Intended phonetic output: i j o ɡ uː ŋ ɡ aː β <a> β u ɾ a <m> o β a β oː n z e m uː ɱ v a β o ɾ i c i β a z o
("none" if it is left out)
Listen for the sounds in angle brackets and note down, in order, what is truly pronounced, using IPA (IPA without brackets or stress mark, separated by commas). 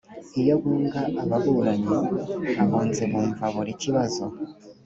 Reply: a, ɲ